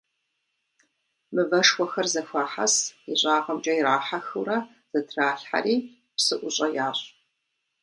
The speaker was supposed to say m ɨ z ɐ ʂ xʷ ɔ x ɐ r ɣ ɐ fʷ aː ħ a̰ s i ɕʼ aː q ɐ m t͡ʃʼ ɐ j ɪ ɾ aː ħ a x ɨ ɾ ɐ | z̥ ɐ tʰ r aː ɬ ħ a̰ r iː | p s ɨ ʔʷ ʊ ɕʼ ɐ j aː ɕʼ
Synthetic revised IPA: m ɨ v ɐ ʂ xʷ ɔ x ɐ r z ɐ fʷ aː ħ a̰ s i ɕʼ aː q ɐ m t͡ʃʼ ɐ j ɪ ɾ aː ħ a x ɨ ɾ ɐ | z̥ ɐ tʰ r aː ɬ ħ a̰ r iː | p s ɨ ʔʷ ʊ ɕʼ ɐ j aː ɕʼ